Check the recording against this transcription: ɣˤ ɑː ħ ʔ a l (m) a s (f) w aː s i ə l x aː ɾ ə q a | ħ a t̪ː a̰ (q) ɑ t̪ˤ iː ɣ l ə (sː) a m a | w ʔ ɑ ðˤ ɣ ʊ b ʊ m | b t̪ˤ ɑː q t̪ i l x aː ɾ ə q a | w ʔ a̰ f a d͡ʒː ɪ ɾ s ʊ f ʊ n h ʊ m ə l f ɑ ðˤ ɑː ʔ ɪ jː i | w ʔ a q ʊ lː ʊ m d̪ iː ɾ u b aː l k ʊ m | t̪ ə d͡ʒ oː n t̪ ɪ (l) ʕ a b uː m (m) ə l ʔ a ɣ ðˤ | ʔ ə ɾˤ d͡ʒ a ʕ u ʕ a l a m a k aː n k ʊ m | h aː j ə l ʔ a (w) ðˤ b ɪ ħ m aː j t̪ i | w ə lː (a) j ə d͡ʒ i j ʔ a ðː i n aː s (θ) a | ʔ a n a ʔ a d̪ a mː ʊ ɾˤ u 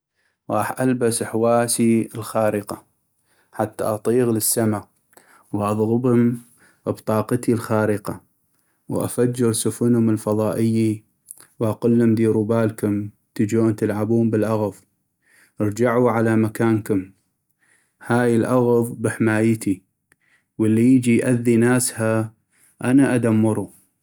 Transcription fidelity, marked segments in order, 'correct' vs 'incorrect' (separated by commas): incorrect, incorrect, incorrect, correct, correct, incorrect, incorrect, incorrect, incorrect